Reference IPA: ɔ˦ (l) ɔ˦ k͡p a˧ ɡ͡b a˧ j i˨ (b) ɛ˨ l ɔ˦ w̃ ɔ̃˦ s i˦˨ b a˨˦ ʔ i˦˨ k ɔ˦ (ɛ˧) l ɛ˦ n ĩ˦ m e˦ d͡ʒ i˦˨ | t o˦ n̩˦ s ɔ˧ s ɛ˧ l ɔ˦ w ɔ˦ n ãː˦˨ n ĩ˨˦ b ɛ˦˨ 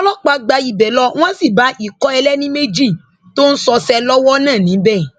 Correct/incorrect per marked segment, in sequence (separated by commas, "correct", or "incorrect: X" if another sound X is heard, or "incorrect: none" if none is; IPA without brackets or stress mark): correct, correct, correct